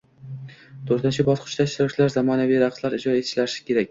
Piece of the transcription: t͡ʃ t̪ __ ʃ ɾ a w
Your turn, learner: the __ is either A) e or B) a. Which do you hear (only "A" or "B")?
B